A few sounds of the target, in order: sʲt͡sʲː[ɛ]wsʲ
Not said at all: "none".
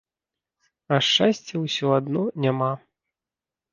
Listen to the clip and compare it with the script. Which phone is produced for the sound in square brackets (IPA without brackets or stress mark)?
ɛ